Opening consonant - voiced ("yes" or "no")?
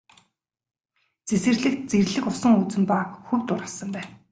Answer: no